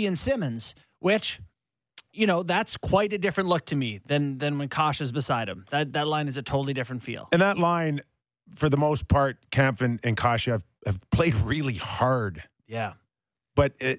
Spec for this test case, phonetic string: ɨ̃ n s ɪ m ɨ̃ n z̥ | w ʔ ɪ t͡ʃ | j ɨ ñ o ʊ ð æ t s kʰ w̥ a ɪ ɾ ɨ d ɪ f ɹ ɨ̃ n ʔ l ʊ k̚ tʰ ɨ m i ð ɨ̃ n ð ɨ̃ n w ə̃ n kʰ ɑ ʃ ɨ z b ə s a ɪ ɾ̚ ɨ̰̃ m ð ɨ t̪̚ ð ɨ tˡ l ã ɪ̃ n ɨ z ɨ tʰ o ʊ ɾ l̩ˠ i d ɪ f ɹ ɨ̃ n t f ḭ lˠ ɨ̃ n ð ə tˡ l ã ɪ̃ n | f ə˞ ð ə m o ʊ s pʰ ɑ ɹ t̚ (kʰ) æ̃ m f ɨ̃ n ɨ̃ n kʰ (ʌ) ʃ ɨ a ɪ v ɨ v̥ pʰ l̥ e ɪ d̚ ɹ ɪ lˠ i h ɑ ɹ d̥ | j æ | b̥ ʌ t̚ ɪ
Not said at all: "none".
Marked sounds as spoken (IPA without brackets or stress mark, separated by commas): kʰ, ɑ